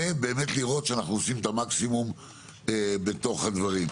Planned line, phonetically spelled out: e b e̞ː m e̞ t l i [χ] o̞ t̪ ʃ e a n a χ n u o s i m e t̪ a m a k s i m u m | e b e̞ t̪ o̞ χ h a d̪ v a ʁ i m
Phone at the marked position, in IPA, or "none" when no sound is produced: ʁ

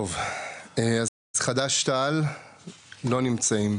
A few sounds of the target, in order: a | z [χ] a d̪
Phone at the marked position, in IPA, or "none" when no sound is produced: χ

